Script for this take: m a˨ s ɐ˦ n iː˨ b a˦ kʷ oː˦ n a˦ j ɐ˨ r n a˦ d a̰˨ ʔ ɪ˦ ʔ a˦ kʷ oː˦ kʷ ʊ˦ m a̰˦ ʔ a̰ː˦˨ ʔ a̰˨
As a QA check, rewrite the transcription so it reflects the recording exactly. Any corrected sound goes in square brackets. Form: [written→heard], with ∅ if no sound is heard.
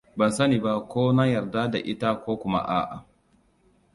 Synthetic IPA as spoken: [m→b] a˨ s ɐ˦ n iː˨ b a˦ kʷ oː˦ n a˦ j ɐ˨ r [n→d] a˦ d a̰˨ ʔ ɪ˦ [ʔ→t] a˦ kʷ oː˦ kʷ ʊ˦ m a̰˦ ʔ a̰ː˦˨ ʔ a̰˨